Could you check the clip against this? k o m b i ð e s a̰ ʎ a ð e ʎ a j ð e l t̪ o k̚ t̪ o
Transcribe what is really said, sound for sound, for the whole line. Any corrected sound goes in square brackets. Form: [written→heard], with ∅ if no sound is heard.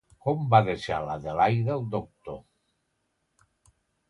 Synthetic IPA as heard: k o m b [i→a] ð e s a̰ [ʎ→l] a ð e [ʎ→l] a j ð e l [t̪→d̪] o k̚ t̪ o